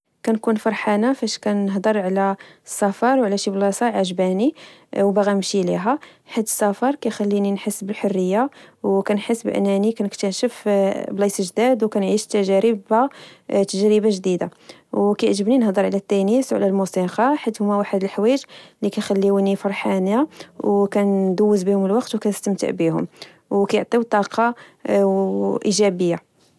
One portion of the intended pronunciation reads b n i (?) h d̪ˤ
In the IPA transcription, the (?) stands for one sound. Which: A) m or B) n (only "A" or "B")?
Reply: B